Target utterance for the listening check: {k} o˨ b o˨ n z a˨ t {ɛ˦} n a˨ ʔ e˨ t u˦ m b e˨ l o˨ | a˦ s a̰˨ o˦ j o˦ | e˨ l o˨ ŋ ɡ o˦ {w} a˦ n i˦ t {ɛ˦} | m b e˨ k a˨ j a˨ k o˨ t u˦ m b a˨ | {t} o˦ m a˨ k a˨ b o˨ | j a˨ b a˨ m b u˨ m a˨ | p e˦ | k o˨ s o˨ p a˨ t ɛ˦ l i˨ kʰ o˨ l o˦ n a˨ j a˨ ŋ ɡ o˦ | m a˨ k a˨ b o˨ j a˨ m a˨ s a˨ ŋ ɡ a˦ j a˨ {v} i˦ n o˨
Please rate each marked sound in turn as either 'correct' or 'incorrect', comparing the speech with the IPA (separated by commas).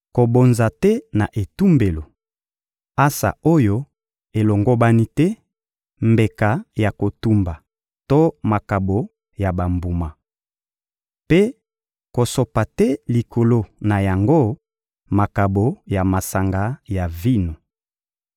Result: correct, correct, incorrect, correct, correct, correct